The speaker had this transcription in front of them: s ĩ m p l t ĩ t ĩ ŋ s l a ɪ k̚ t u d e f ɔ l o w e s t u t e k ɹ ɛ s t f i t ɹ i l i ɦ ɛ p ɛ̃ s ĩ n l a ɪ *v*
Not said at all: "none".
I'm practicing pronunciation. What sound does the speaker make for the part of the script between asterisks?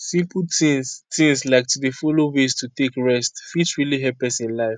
f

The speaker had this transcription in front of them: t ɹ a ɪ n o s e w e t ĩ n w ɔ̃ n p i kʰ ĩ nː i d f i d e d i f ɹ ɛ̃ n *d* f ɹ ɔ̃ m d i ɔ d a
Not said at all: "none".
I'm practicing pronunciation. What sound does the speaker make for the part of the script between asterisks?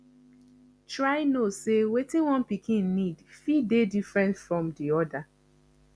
t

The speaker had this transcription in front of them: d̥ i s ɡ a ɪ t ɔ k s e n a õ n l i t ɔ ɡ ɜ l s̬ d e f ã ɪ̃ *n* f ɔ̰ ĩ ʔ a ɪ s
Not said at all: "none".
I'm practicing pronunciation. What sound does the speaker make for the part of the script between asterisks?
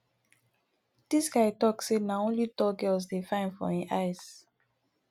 n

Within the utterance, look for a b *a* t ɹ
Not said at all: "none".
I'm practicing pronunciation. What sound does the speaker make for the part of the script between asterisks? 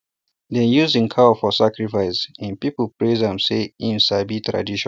i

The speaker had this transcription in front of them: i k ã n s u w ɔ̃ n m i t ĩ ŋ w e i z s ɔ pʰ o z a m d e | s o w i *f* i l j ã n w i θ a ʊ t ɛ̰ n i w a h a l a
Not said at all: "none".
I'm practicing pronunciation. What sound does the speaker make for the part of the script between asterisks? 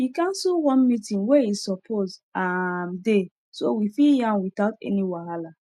f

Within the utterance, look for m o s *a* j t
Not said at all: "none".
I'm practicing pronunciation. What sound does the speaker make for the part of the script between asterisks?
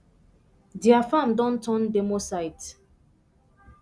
a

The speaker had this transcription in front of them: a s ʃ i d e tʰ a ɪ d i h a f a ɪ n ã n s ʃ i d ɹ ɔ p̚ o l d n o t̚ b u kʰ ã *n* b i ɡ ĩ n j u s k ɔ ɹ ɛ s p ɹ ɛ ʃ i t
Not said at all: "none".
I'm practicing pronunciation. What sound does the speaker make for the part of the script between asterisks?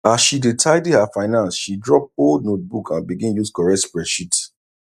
n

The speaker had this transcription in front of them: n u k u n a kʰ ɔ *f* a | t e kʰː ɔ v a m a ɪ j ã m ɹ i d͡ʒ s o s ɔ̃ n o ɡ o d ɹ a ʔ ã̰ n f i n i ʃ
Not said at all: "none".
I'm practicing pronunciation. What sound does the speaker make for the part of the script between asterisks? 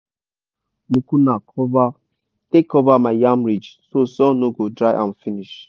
v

